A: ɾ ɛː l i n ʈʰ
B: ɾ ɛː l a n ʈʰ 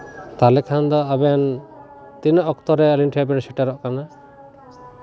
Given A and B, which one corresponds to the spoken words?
A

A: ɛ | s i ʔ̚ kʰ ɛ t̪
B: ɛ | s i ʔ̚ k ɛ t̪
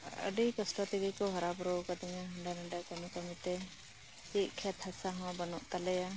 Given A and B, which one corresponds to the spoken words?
A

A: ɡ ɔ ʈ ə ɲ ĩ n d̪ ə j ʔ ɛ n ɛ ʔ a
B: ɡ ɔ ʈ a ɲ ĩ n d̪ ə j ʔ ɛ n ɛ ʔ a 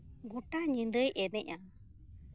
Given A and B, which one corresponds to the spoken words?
B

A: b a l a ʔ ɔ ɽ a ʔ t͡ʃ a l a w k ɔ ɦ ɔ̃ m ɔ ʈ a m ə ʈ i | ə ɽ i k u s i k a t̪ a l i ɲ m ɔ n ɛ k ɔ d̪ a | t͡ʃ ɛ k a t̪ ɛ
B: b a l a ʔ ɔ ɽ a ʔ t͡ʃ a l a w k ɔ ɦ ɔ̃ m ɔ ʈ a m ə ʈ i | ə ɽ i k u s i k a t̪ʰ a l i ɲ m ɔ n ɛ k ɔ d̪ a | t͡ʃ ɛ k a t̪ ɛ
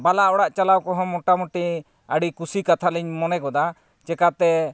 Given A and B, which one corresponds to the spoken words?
B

